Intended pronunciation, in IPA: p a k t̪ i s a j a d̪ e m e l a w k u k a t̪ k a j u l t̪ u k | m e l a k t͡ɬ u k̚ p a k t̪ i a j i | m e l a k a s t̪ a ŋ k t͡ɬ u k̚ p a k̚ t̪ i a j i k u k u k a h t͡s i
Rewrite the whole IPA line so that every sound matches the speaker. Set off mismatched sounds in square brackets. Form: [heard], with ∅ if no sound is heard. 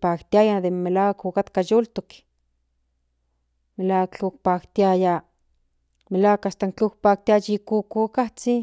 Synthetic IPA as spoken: p a k t̪ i [∅] a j a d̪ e m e l a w k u k a t̪ k a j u l t̪ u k | m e l a k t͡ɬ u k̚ p a k t̪ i a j [a] | m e l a k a s t̪ a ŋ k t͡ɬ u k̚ p a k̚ t̪ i a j i k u k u k a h t͡s i